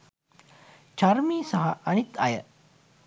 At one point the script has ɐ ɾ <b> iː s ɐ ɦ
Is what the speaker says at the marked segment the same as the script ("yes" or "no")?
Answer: no